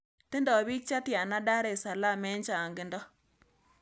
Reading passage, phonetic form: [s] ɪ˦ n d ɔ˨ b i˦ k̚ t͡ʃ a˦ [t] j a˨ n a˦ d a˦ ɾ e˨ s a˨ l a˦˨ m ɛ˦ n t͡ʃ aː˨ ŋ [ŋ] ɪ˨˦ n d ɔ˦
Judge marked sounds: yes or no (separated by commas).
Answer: no, yes, no